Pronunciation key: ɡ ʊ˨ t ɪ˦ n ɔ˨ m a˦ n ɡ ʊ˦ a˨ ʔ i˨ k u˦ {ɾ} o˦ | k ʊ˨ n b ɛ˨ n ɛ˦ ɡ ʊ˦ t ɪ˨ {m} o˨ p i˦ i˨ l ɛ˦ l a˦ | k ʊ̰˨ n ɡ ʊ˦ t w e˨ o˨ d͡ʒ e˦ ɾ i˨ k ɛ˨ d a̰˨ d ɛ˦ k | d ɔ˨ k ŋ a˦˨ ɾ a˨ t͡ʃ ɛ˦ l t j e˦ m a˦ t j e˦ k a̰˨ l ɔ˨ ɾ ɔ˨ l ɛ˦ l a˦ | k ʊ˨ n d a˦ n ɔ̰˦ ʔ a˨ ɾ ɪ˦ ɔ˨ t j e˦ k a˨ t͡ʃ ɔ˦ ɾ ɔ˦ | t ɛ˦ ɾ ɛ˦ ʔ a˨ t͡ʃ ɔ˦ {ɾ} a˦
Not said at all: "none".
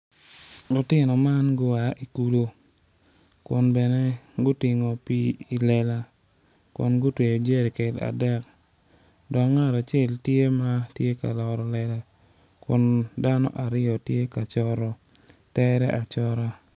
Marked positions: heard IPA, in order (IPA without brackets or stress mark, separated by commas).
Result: l, ŋ, ɾ